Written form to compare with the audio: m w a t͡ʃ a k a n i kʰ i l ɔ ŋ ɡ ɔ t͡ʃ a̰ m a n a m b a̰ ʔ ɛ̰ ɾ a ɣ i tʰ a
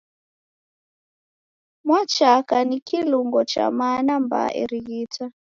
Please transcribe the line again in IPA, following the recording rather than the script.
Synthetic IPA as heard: m w a t͡ʃ a k a n i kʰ i l u ŋ ɡ ɔ t͡ʃ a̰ m a n a m b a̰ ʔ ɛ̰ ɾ i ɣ i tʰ a